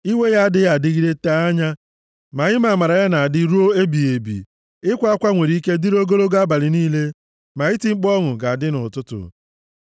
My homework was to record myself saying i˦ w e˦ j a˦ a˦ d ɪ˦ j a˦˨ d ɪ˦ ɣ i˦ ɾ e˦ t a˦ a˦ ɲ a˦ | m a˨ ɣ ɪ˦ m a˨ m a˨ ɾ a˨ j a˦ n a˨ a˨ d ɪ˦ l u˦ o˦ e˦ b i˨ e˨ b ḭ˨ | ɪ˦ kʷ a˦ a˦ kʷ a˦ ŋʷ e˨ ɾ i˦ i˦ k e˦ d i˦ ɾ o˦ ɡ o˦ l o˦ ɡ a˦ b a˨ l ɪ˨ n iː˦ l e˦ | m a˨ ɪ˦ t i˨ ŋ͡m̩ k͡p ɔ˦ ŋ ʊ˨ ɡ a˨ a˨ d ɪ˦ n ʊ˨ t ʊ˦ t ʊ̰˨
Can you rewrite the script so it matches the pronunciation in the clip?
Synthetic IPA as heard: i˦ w e˦ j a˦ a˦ d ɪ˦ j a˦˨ d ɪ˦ ɣ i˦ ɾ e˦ t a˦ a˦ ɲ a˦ | m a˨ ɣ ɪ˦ m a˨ m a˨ ɾ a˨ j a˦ n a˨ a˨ d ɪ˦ ɾ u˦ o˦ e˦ b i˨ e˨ b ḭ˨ | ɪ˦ kʷ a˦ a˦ kʷ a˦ ŋʷ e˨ ɾ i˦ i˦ k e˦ d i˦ ɾ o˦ ɡ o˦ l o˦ ɡ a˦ b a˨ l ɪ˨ n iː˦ l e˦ | m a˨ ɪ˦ t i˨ ŋ͡m̩ k͡p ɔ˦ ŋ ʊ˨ ɡ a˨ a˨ d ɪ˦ n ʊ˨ t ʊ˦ t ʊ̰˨